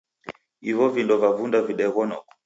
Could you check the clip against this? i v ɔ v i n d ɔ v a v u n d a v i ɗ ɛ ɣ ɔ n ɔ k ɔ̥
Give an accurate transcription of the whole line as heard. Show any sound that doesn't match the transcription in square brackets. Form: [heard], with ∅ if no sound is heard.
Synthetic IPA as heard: i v ɔ v i n d ɔ v a v u n d a v i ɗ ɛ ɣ ɔ n ɔ k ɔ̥